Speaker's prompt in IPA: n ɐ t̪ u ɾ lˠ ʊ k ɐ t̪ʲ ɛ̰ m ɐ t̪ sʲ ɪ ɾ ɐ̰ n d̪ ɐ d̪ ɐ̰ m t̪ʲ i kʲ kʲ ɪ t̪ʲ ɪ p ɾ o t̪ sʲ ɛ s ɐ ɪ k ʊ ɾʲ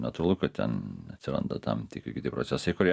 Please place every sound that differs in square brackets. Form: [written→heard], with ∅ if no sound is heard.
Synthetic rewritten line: n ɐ t̪ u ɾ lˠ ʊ k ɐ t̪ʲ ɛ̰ [m→n] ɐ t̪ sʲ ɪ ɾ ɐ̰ n d̪ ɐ [d̪→t̪] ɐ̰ m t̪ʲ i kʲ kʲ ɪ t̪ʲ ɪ p ɾ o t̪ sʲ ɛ s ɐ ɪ k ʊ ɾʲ